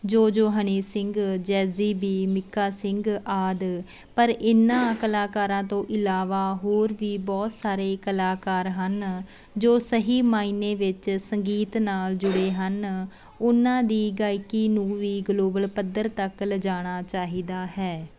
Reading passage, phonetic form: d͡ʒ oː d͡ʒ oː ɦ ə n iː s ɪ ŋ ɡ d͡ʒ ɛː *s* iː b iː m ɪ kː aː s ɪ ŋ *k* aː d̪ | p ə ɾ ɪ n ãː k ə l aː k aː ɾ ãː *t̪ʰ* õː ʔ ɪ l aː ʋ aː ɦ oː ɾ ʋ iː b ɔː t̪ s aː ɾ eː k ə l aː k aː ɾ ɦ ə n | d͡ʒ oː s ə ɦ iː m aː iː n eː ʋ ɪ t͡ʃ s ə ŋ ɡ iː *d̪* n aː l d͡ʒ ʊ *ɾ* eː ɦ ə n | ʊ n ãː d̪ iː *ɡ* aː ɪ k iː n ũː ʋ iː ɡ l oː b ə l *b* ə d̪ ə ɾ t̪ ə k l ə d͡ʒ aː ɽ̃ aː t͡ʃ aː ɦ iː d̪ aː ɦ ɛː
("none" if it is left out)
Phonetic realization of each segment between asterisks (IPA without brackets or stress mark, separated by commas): z, ɡ, t̪, t̪, ɽ, ɡ, p